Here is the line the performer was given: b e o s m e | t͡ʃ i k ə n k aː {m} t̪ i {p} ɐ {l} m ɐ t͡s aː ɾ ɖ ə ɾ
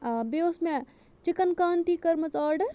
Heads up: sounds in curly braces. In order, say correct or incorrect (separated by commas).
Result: incorrect, incorrect, incorrect